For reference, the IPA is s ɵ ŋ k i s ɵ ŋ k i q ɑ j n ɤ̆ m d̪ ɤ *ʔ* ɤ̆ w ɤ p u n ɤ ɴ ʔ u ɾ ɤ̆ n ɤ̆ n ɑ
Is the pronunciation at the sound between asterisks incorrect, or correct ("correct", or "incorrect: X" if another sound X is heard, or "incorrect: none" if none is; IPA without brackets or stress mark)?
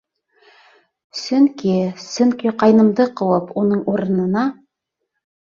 incorrect: q